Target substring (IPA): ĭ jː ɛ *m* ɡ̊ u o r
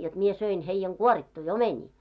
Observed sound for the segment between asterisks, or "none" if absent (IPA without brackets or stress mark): ŋ